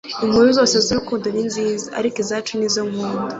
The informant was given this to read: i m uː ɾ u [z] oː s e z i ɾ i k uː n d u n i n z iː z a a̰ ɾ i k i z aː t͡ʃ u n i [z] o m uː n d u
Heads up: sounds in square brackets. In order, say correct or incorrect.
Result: correct, correct

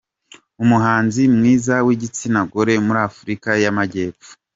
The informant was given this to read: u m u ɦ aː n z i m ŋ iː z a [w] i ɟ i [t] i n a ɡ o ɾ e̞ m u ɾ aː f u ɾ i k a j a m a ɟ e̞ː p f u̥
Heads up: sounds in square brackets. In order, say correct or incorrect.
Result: correct, incorrect: t͡s

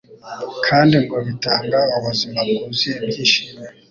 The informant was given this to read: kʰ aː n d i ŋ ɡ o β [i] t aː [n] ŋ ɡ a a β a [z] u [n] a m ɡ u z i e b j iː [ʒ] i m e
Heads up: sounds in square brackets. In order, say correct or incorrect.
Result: correct, incorrect: none, correct, incorrect: m, incorrect: ʃ

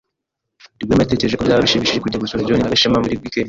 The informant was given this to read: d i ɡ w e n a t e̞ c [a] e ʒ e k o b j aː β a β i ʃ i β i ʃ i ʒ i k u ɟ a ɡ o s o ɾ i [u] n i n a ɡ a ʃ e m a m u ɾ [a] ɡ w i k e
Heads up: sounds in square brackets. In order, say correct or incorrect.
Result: incorrect: e, incorrect: o, incorrect: i

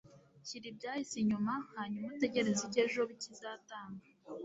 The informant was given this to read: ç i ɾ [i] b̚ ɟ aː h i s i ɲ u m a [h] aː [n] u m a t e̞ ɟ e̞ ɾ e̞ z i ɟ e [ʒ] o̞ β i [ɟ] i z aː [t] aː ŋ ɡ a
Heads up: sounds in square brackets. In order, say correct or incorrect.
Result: correct, correct, incorrect: ɲ, correct, incorrect: c, correct

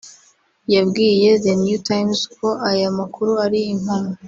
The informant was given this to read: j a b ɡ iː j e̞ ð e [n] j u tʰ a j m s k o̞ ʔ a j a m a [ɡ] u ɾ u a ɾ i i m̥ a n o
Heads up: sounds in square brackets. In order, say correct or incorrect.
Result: correct, incorrect: k

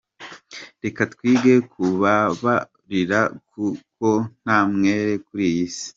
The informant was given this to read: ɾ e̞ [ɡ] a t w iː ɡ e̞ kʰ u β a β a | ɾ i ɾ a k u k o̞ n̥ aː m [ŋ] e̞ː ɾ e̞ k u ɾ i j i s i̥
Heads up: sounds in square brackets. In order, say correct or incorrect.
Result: incorrect: k, correct

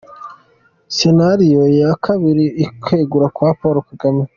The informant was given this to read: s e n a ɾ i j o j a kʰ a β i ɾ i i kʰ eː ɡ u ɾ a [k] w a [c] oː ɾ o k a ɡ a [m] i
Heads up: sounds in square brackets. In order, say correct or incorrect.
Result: correct, incorrect: p, correct

